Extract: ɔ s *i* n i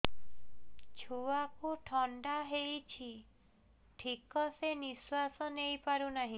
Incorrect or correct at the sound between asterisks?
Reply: incorrect: e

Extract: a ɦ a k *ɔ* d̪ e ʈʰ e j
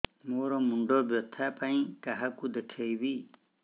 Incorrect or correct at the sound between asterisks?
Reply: incorrect: u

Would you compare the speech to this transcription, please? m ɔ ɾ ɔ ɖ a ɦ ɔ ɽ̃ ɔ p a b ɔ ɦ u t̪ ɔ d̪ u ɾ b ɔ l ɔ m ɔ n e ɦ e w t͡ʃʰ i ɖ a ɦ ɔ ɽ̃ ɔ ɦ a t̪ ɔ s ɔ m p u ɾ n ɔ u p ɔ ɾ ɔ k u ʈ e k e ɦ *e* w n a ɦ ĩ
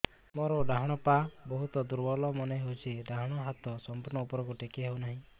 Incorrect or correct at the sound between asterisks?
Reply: correct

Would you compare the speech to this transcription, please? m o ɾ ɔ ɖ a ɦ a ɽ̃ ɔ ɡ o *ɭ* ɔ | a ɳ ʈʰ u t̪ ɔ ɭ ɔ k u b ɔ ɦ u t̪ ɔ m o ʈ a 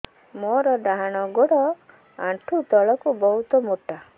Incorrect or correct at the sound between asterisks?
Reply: incorrect: ɽ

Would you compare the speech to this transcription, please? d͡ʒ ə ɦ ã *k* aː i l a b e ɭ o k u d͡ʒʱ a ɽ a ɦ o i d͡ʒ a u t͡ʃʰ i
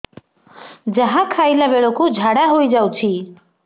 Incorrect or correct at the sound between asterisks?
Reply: incorrect: kʰ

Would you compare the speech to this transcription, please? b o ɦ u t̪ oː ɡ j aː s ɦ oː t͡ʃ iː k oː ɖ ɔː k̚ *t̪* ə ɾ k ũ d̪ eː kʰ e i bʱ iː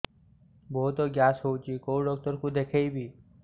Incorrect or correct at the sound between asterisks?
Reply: correct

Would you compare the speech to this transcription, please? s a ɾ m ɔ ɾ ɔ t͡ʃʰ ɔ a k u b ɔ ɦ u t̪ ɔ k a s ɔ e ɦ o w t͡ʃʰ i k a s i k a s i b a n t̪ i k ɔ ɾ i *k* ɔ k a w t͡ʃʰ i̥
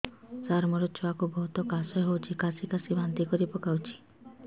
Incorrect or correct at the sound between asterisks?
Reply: incorrect: p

